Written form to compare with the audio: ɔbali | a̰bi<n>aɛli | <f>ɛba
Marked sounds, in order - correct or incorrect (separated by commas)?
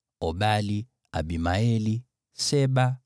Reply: incorrect, incorrect